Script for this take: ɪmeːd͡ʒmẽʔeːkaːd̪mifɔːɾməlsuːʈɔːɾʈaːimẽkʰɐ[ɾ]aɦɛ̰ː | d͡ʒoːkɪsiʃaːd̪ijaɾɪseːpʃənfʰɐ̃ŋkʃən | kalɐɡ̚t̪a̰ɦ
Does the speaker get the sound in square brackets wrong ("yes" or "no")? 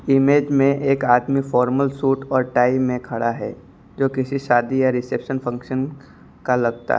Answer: yes